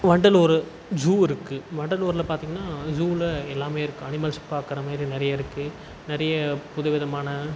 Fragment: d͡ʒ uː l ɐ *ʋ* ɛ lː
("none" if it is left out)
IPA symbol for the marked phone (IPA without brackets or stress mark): none